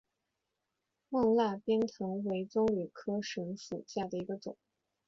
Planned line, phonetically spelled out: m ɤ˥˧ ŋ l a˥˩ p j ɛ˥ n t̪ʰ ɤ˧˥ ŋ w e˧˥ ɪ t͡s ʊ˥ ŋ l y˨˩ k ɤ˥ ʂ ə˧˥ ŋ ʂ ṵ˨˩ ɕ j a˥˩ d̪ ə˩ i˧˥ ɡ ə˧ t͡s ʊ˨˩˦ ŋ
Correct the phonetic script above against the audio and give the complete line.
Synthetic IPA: m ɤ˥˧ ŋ l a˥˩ p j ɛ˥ n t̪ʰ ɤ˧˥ ŋ w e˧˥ ɪ t͡s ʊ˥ ŋ l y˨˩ kʰ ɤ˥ ʂ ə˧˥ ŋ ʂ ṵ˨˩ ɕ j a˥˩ d̪ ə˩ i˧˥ ɡ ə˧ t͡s ʊ˨˩˦ ŋ